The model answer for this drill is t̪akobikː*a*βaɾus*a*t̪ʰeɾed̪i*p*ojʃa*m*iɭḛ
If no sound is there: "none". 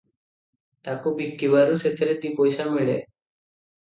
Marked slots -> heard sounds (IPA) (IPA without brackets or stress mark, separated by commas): i, e, p, m